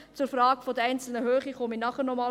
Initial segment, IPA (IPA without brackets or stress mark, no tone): t͡s